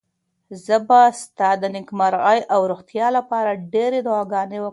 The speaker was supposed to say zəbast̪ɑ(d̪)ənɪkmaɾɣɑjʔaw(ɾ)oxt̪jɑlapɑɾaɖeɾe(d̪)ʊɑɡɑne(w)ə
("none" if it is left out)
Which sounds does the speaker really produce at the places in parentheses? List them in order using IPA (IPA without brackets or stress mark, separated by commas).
d̪, ɾ, d̪, w